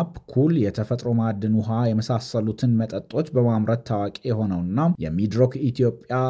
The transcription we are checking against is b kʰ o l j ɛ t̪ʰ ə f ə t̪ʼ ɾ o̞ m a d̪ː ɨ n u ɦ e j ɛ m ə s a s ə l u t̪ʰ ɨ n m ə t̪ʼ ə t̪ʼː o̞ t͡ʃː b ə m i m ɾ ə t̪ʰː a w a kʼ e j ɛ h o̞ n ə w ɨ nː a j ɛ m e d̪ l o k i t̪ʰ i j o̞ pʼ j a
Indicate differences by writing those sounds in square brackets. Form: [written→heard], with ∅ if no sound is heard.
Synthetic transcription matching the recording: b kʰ [o→u] l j ɛ t̪ʰ ə f ə t̪ʼ ɾ o̞ m a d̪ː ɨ n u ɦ [e→a] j ɛ m ə s a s ə l u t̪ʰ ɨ n m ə t̪ʼ ə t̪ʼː o̞ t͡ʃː b ə m [i→a] m ɾ ə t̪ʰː a w a kʼ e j ɛ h o̞ n ə w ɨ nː a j ɛ m [e→i] d̪ [l→ɾ] o k i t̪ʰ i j o̞ pʼ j a